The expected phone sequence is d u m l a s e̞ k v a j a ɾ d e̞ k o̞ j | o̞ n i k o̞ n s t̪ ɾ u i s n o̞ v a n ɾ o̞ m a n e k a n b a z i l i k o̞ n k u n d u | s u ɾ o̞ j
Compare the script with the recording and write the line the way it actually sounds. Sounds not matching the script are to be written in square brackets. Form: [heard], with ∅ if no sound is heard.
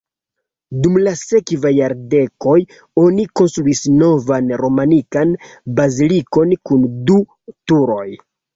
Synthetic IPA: d u m l a s e̞ k v a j a ɾ d e̞ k o̞ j | o̞ n i k o̞ n s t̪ ɾ u i s n o̞ v a n ɾ o̞ m a n [i] k a n b a z i l i k o̞ n k u n d u | [t] u ɾ o̞ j